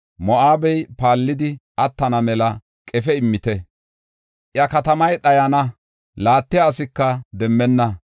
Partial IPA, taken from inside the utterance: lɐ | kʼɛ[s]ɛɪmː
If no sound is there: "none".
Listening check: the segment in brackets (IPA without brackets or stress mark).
f